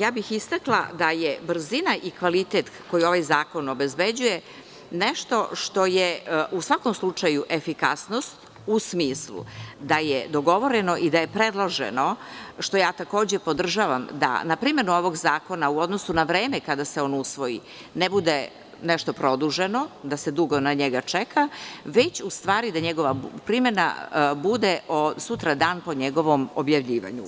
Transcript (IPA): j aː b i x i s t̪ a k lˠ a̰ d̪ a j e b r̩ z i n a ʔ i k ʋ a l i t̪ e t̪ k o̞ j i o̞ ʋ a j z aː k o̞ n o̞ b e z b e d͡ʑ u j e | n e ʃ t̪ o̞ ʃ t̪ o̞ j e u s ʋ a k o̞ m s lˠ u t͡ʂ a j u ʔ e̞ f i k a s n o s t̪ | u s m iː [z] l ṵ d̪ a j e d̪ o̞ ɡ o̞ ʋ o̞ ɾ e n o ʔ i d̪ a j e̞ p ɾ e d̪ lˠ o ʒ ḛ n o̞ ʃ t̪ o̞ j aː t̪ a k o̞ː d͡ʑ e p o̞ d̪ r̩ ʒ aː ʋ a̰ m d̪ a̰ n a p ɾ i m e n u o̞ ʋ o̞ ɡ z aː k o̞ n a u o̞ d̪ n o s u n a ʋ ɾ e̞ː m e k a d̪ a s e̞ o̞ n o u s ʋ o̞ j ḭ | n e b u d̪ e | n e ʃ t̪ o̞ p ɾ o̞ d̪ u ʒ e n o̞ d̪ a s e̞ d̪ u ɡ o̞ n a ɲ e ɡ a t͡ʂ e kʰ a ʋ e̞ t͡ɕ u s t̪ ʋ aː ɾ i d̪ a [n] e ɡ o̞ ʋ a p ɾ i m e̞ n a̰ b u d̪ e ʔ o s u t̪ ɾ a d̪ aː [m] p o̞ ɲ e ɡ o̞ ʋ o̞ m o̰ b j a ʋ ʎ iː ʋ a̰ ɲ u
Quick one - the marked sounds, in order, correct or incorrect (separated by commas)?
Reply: incorrect, incorrect, incorrect